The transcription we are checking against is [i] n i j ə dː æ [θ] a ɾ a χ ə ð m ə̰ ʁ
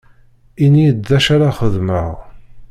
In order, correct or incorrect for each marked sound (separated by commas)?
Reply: correct, incorrect